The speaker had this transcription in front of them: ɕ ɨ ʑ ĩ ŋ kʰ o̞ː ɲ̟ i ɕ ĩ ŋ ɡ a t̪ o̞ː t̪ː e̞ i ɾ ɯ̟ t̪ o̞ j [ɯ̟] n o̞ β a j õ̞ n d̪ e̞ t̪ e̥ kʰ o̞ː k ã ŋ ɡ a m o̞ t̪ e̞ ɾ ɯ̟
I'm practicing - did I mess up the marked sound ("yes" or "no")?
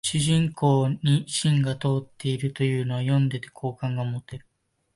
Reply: yes